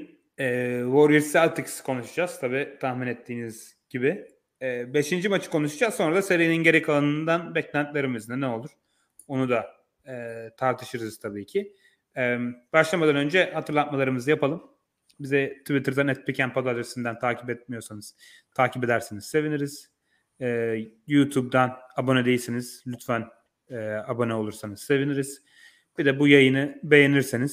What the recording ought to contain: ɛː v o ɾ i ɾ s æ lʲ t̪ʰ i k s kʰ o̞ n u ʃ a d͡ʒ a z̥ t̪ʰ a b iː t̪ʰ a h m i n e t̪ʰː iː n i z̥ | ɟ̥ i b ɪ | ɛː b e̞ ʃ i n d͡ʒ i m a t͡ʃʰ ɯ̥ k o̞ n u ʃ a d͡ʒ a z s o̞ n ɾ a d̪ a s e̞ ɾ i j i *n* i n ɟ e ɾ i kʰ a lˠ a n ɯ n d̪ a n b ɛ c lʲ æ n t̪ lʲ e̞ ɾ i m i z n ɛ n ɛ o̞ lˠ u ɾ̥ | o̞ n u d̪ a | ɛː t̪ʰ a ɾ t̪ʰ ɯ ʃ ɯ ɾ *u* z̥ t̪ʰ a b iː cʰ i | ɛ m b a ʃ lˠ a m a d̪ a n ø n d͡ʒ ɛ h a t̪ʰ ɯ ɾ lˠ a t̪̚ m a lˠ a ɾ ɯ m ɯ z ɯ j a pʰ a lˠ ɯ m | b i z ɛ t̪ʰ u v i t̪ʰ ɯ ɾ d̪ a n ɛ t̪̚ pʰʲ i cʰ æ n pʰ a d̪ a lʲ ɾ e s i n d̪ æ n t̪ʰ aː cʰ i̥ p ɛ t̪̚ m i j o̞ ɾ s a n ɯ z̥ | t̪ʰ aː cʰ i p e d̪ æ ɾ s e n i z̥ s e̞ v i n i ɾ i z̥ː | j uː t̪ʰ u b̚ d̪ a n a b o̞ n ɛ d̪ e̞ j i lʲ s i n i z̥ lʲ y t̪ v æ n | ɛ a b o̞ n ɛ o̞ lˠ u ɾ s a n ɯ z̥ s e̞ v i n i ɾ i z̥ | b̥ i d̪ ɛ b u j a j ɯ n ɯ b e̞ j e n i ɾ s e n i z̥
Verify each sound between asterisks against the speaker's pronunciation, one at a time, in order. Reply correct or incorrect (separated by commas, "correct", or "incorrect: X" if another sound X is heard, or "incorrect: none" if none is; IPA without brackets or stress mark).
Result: correct, incorrect: ɯ